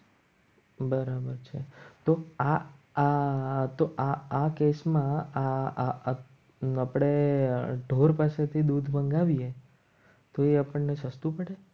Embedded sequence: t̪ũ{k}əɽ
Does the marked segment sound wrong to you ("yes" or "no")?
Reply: yes